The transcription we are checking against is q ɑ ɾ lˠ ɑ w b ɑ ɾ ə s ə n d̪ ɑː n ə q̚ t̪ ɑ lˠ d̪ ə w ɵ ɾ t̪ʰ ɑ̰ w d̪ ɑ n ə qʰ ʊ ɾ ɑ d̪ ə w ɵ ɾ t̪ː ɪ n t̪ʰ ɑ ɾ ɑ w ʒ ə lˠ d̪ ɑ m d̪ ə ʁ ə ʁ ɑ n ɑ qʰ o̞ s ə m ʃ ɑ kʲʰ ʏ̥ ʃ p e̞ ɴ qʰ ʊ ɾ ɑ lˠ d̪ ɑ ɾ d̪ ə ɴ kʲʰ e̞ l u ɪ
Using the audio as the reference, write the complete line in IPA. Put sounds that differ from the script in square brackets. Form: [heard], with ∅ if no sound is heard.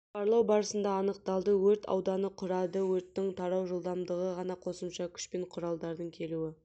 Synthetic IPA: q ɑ ɾ lˠ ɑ w b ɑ ɾ ə s ə n d̪ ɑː n ə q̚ t̪ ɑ lˠ d̪ ə w ɵ ɾ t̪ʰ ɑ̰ w d̪ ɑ n ə qʰ ʊ ɾ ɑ d̪ ə w ɵ ɾ t̪ː ɪ [ŋ] t̪ʰ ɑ ɾ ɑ w ʒ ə lˠ d̪ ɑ m d̪ ə ʁ ə ʁ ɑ n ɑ qʰ o̞ s ə m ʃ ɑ kʲʰ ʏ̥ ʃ p e̞ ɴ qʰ ʊ ɾ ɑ lˠ d̪ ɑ ɾ d̪ ə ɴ kʲʰ e̞ l u ɪ